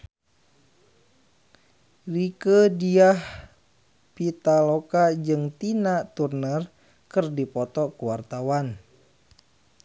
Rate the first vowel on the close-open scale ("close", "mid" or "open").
close